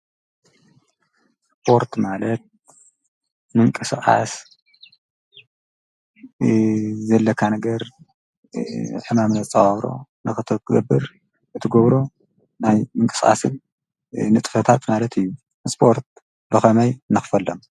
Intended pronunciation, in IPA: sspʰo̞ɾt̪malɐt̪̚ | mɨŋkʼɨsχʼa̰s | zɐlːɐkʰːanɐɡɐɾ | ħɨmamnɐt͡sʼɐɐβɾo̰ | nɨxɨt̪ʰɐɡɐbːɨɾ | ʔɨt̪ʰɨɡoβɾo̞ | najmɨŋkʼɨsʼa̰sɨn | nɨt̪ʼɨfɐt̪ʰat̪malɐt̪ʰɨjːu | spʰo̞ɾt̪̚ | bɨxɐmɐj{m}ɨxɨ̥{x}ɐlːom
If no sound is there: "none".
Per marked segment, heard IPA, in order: n, f

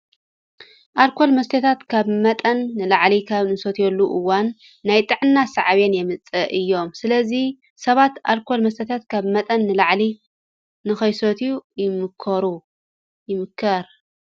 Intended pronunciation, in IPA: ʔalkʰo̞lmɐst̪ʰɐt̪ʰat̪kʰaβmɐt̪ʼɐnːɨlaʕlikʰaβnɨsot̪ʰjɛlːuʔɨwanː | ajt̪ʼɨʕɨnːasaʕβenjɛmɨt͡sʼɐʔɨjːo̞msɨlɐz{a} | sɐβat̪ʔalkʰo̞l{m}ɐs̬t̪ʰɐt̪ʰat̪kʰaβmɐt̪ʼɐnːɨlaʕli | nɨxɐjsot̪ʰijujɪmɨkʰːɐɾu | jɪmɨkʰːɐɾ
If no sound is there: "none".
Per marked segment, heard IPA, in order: i, m

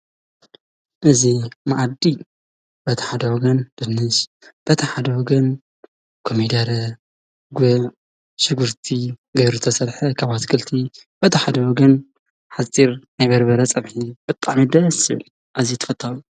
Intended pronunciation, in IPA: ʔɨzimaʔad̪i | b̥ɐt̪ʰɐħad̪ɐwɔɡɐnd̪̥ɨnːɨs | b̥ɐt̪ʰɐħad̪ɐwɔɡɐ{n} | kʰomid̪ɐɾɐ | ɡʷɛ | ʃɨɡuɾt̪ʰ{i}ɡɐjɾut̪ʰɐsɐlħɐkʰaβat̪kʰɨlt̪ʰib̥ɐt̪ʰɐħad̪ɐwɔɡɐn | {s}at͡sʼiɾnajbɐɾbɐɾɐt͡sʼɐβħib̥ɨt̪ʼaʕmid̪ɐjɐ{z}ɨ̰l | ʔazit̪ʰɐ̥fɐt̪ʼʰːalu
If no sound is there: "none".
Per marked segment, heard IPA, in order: n, i, ħ, s

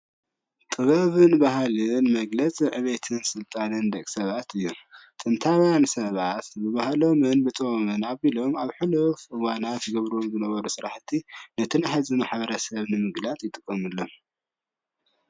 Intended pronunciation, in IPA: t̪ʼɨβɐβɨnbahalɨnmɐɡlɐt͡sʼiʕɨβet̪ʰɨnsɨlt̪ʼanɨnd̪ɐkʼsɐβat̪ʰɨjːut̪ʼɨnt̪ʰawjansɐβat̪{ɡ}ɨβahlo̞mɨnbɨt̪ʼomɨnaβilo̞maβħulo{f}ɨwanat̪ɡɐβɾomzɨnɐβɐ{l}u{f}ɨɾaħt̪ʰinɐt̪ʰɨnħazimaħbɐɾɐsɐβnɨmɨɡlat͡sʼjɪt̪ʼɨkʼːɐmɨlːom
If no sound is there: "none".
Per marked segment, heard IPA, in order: b, f, ɾ, s

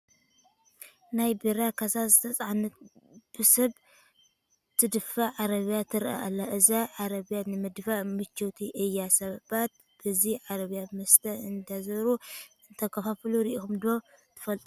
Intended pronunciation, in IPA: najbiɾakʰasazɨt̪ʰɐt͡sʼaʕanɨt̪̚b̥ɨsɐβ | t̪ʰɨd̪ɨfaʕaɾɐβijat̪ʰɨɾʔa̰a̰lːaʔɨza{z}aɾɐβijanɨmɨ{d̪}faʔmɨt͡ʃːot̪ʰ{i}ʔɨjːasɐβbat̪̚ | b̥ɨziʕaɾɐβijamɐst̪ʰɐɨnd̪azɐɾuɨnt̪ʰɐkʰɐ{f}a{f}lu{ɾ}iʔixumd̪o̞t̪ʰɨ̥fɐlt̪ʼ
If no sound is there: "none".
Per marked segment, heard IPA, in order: ʕ, d̪, i, f, f, ɾ

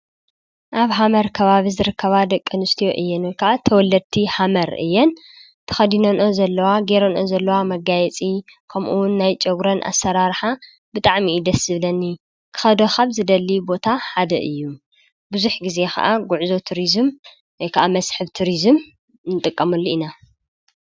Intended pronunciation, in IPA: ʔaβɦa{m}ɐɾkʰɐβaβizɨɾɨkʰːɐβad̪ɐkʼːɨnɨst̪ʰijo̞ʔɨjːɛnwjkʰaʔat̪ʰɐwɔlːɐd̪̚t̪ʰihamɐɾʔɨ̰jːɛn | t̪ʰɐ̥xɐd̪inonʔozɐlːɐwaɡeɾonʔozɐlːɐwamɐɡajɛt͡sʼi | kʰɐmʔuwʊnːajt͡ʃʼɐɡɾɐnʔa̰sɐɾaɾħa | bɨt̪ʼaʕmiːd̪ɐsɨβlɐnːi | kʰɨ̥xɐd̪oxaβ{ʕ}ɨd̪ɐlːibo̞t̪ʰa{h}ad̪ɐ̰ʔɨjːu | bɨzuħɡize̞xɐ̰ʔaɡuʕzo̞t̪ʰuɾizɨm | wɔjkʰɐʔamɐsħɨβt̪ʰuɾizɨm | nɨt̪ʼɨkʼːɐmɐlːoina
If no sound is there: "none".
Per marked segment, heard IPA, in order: m, z, ħ

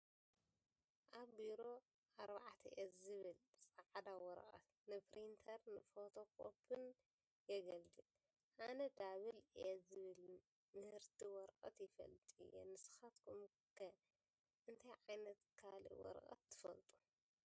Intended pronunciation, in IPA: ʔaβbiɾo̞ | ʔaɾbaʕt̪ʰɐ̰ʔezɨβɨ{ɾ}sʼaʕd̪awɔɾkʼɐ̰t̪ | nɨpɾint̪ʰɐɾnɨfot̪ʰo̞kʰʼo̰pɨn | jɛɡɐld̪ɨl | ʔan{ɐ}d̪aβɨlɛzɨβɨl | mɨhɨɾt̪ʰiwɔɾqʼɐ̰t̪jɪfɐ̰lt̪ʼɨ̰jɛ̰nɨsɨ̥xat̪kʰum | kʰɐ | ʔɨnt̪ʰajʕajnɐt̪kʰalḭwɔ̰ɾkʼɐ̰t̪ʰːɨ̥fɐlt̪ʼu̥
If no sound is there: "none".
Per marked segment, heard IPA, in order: l, ɐ

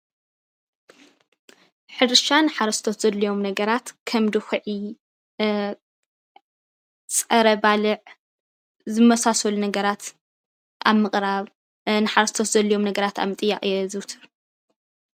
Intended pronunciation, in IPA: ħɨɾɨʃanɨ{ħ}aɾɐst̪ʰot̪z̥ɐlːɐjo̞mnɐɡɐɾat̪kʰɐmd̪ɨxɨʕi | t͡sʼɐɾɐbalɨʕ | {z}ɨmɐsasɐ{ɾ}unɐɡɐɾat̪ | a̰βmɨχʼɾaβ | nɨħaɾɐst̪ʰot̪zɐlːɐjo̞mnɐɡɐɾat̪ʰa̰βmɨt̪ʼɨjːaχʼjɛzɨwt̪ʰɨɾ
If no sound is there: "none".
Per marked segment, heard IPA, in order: ħ, z, l

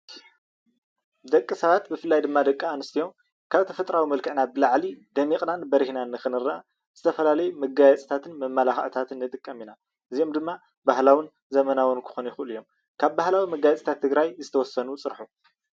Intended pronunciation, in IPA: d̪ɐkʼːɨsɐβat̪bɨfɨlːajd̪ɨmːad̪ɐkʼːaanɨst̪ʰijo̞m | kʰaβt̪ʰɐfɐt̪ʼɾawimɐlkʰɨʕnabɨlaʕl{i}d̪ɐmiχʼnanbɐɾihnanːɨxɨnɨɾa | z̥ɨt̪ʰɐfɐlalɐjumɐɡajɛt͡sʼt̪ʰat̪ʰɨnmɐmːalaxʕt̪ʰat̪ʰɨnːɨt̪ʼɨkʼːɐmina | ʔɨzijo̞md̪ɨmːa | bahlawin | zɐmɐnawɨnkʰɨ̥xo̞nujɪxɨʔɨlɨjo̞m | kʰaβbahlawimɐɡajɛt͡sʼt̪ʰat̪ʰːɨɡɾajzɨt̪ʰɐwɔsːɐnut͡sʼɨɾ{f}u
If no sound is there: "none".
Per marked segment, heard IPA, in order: i, ħ

